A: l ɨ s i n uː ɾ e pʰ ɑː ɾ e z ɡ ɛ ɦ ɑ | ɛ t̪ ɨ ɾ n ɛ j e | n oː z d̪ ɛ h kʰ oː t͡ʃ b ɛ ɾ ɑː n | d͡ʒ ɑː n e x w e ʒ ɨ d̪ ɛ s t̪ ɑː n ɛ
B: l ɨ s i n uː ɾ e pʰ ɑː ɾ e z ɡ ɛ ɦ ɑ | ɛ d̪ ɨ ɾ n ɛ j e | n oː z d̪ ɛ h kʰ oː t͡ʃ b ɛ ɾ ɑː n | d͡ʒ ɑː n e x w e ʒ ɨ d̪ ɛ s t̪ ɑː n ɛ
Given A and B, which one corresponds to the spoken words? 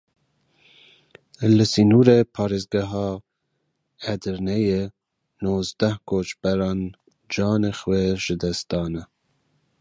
B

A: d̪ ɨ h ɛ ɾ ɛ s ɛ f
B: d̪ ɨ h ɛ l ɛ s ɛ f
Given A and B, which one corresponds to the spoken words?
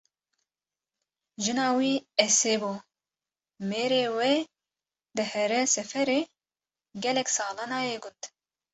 A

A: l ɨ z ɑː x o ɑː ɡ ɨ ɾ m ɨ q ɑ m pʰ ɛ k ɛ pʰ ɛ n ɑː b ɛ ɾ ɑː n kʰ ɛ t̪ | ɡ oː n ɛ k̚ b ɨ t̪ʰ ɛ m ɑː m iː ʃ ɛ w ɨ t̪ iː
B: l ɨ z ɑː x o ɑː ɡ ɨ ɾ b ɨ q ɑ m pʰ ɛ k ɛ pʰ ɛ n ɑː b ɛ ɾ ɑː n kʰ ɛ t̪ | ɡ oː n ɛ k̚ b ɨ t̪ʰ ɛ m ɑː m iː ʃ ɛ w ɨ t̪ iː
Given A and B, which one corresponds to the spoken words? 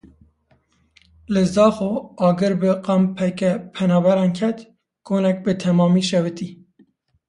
B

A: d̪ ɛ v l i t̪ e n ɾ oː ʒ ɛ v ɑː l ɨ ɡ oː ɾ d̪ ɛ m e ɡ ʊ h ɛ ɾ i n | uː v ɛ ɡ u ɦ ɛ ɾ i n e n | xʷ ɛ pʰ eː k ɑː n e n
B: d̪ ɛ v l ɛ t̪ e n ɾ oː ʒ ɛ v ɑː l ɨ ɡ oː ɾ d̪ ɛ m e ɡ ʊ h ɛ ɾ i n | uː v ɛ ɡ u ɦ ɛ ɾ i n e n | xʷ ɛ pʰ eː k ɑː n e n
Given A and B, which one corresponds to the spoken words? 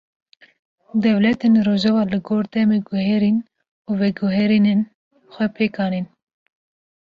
B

